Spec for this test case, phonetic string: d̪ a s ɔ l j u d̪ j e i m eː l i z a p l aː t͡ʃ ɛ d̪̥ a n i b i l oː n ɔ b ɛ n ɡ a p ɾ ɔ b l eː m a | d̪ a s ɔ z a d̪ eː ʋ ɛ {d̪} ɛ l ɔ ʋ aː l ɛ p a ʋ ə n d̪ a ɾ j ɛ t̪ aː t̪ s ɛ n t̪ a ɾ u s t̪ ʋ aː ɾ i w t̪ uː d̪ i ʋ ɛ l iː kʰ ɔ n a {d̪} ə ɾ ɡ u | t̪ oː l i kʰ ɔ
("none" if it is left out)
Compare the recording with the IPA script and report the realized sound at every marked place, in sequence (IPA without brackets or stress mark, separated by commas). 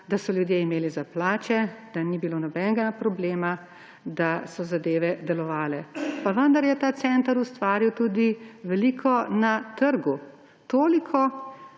d̪, t̪